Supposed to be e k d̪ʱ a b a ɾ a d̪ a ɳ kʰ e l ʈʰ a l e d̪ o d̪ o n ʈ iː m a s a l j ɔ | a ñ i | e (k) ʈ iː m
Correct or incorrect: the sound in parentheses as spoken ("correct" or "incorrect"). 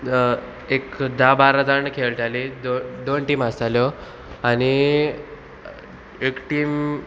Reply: correct